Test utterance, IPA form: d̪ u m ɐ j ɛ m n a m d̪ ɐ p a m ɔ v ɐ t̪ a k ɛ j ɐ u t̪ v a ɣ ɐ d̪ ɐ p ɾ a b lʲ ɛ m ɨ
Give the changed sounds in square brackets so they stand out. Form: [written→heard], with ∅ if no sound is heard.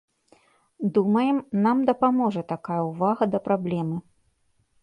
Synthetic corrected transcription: d̪ u m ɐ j ɛ m n a m d̪ ɐ p a m ɔ [v→ʐ] ɐ t̪ a k [ɛ→a] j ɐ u [t̪→∅] v a ɣ ɐ d̪ ɐ p ɾ a b lʲ ɛ m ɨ